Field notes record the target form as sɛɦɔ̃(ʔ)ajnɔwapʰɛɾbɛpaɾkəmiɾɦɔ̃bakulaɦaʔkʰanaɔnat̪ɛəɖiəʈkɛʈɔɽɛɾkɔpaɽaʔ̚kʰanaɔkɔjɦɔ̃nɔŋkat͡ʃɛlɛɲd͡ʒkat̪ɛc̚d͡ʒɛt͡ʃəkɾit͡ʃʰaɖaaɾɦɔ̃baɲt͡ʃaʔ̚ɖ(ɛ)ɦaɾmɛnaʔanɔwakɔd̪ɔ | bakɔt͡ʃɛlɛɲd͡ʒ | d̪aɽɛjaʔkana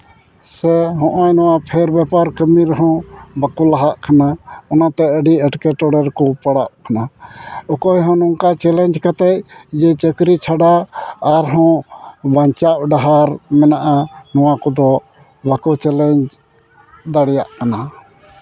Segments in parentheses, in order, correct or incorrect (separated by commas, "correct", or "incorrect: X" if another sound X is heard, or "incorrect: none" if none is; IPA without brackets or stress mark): correct, incorrect: a